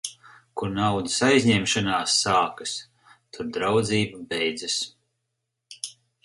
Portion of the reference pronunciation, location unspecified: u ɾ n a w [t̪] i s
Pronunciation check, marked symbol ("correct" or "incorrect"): incorrect